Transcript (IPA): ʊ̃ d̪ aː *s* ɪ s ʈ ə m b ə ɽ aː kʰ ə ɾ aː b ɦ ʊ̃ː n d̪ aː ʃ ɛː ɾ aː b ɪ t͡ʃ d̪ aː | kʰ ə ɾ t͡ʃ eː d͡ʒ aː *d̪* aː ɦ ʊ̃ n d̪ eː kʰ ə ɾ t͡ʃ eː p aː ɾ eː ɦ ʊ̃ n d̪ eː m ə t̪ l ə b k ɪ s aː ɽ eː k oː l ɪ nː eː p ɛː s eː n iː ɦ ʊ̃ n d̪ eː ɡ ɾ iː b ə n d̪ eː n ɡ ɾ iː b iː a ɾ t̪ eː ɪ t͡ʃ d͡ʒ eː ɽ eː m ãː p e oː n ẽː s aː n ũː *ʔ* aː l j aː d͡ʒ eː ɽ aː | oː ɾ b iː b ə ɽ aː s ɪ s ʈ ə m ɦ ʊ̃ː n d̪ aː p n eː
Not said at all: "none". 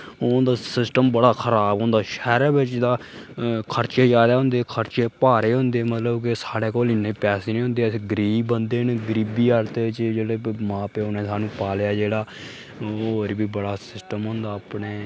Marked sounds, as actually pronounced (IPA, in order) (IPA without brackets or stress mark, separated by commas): s, d̪, p